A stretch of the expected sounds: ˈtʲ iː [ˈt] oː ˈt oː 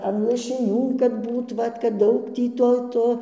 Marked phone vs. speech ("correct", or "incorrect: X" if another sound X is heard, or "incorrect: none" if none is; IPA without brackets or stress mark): correct